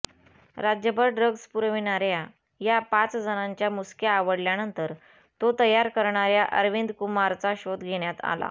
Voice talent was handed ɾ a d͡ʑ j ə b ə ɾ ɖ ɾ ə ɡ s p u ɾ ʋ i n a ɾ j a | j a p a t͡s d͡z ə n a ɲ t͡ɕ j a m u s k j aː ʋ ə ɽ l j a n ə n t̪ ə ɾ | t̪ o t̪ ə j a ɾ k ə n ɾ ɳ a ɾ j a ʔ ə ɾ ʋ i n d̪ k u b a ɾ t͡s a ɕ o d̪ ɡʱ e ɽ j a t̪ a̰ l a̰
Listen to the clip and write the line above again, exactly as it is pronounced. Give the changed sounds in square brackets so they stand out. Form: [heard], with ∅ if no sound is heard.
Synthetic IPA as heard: ɾ a d͡ʑ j ə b ə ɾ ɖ ɾ ə ɡ s p u ɾ ʋ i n a ɾ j a | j a p a t͡s d͡z ə n a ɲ t͡ɕ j a m u s k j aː ʋ ə ɽ l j a n ə n t̪ ə ɾ | t̪ o t̪ ə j a ɾ k ə [∅] ɾ ɳ a ɾ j a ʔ ə ɾ ʋ i n d̪ k u [m] a ɾ t͡s a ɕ o d̪ ɡʱ e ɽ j a t̪ a̰ l a̰

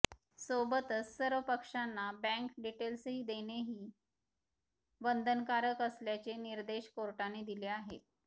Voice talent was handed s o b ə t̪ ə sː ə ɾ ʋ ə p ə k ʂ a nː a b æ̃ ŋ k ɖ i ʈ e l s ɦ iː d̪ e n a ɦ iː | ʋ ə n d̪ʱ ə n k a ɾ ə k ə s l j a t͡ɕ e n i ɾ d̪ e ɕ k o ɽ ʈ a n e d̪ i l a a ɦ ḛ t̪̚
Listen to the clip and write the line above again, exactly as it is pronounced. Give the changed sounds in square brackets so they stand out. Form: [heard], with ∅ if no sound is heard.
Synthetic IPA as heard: s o b ə t̪ ə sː ə ɾ ʋ ə p ə k ʂ a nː a b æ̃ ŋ k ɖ i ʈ e l s ɦ iː d̪ e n [e] ɦ iː | ʋ ə n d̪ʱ ə n k a ɾ ə k ə s l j a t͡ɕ e n i ɾ d̪ e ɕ k o [ɾ] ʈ a n e d̪ i l [e] a ɦ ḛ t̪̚

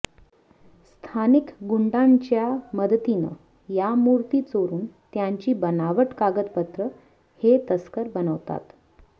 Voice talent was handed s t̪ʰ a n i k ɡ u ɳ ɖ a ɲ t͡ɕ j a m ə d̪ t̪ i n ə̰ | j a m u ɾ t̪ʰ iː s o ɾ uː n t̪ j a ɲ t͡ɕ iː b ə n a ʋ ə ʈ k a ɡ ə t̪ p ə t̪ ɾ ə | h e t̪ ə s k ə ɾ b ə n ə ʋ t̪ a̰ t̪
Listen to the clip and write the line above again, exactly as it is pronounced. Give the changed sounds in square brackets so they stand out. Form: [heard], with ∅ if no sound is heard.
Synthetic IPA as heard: s t̪ʰ a n i k ɡ u ɳ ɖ a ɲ t͡ɕ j a m ə d̪ t̪ i n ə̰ | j a m u ɾ [t̪] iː [t͡s] o ɾ uː n t̪ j a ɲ t͡ɕ iː b ə n a ʋ ə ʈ k a ɡ ə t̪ p ə t̪ ɾ ə | h e t̪ ə s k ə ɾ b ə n ə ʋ t̪ a̰ t̪

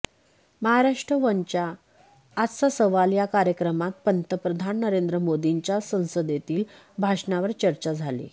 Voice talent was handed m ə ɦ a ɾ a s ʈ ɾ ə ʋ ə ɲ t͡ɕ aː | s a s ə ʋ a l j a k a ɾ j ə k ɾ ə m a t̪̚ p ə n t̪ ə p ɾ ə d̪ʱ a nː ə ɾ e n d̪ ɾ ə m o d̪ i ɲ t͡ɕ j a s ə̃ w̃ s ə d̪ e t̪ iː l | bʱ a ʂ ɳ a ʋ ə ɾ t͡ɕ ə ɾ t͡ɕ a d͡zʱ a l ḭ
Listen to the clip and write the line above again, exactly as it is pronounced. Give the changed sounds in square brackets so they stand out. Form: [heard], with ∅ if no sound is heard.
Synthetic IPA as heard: m ə ɦ a ɾ a [ʂ] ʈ ɾ ə ʋ ə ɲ t͡ɕ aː | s a s ə ʋ a l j a k a ɾ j ə k ɾ ə m a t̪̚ p ə n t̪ ə p ɾ ə d̪ʱ a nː ə ɾ e n d̪ ɾ ə m o d̪ i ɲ t͡ɕ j a s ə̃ w̃ s ə d̪ e t̪ iː l | bʱ a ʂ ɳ a ʋ ə ɾ t͡ɕ ə ɾ t͡ɕ a d͡zʱ a l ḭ

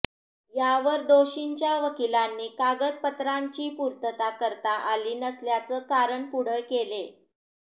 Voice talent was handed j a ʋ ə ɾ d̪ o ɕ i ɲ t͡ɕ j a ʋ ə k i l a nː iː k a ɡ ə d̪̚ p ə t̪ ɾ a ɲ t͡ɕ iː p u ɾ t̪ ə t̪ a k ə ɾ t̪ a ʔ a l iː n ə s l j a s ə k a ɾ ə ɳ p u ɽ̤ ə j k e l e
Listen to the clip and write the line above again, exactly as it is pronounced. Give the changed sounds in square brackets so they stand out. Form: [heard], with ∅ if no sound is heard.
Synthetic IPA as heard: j a ʋ ə ɾ d̪ o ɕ i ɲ t͡ɕ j a ʋ ə k i l a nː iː k a ɡ ə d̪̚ p ə t̪ ɾ a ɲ t͡ɕ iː p u ɾ t̪ ə t̪ a k ə ɾ t̪ a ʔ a l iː n ə s l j a [t͡s] ə k a ɾ ə ɳ p u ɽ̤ ə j k e l e

